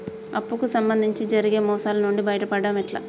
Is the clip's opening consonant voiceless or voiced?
voiceless